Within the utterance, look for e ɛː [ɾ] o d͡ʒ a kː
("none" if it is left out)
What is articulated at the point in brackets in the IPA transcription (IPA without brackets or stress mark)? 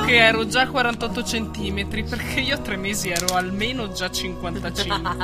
ɾ